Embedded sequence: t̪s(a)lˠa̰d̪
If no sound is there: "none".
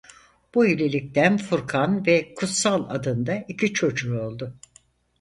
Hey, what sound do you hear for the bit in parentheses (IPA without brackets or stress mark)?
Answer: a